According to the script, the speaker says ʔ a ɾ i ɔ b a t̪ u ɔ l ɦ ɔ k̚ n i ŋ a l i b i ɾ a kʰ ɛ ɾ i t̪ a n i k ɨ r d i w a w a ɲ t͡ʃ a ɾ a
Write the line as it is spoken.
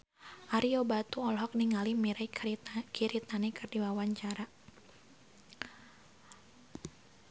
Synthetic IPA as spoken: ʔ a ɾ i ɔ b a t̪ u ɔ l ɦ ɔ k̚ n i ŋ a l i m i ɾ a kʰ i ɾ i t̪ a n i k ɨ r d i w a w a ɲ t͡ʃ a ɾ a